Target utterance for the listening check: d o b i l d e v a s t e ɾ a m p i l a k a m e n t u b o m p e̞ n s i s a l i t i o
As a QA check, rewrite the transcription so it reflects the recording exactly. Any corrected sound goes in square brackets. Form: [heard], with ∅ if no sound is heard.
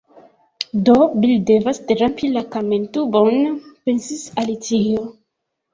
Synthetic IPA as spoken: d o b i l d e v a s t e ɾ a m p i l a k a m e n t u b o [n] p e̞ n s i s a l i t i o

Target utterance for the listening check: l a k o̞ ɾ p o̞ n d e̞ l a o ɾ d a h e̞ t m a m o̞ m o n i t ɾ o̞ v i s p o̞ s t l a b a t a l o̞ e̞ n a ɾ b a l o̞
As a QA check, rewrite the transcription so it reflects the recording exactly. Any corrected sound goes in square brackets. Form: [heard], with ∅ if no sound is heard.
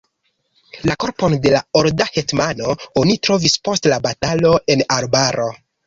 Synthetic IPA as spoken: l a k o̞ ɾ p o̞ n d e̞ l a o ɾ d a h e̞ t m a [n] o̞ [∅] o n i t ɾ o̞ v i s p o̞ s t l a b a t a l o̞ e̞ n a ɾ b a [ɾ] o̞

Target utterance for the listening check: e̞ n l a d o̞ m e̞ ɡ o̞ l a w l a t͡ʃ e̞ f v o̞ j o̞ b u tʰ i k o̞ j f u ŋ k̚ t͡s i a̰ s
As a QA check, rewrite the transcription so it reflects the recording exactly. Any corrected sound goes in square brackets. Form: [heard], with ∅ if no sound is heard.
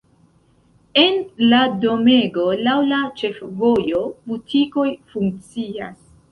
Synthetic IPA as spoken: e̞ n l a d o̞ m e̞ ɡ o̞ l a w l a t͡ʃ e̞ f v o̞ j o̞ b u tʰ i k o̞ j f u ŋ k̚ t͡s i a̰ s

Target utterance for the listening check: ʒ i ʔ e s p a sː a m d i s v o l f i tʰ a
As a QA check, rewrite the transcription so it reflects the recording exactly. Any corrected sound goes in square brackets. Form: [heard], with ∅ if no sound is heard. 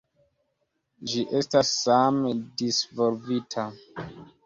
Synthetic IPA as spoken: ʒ i ʔ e s [t] a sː a m d i s v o l [v] i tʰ a

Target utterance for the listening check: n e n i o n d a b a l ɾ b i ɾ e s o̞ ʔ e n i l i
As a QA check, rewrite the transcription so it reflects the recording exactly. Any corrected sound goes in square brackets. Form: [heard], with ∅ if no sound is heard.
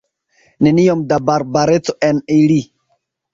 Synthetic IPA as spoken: n e n i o [m] d a b a [∅] ɾ b [a] ɾ e [t͡s] o̞ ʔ e n i l i

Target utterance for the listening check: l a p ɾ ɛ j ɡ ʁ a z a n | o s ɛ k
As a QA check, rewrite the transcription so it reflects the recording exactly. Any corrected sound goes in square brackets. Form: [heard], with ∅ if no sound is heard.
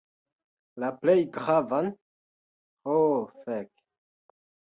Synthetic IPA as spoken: l a p [l] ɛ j ɡ ʁ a [v] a n | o [f] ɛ k

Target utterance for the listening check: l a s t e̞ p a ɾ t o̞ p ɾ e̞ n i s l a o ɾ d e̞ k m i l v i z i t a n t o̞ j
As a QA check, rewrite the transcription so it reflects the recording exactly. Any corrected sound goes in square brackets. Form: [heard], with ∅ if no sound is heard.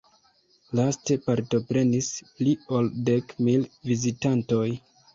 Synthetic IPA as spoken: l a s t e̞ p a ɾ t o̞ p ɾ e̞ n i s l [i] o [l] d e̞ k m i l v i z i t a n t o̞ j

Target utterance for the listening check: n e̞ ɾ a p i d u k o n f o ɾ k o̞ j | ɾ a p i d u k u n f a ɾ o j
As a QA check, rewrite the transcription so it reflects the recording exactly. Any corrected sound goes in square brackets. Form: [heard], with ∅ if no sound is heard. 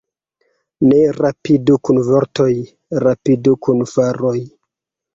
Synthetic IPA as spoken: n e̞ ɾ a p i d u k [u] n [v] o ɾ [t] o̞ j | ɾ a p i d u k u n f a ɾ o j

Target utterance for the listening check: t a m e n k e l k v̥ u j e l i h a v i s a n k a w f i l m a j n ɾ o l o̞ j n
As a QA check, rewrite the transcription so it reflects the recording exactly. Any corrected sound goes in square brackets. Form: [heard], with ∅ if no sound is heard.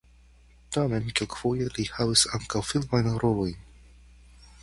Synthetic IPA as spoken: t a m e n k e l k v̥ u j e l i h a v i s a [ŋ] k a w f i l m a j n ɾ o l o̞ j n

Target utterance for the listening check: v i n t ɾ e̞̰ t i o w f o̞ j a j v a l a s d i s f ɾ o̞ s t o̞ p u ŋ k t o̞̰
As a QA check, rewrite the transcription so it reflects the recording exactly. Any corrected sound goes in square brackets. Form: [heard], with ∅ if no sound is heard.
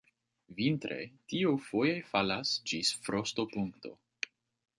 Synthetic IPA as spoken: v i n t ɾ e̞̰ t i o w f o̞ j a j [f] a l a s [d͡ʒ] i s f ɾ o̞ s t o̞ p u ŋ k t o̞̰

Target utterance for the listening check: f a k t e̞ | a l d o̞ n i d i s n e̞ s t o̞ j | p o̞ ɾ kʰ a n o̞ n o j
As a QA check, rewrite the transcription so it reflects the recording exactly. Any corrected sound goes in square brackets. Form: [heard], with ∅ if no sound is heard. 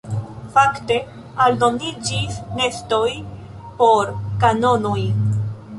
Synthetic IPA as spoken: f a k t e̞ | a l d o̞ n i [d͡ʒ] i s n e̞ s t o̞ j | p o̞ ɾ [k] a n o̞ n o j

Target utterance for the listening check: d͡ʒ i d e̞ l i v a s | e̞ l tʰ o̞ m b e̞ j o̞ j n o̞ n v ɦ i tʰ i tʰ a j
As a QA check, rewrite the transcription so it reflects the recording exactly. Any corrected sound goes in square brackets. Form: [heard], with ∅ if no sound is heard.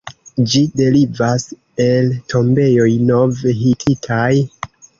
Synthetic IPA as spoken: d͡ʒ i d e̞ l i v a s | e̞ l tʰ o̞ m b e̞ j o̞ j n o̞ [∅] v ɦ i tʰ i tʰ a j

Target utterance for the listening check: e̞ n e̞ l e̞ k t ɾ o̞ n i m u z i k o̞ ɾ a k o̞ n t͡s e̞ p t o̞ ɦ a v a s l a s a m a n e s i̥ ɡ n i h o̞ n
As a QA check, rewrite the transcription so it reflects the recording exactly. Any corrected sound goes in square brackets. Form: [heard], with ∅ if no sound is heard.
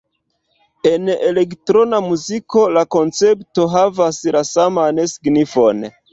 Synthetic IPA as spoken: e̞ n e̞ l e̞ k t ɾ o̞ n [a] m u z i k o̞ [l] a k o̞ n t͡s e̞ p t o̞ ɦ a v a s l a s a m a n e s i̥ ɡ n i [f] o̞ n

